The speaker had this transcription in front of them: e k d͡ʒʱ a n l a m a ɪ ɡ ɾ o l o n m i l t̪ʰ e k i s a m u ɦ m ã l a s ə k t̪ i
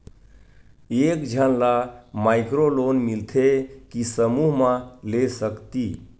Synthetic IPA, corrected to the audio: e k d͡ʒʱ ə n l a m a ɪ k ɾ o l o n m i l t̪ʰ e k i s ə m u ɦ m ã l e s ə k t̪ i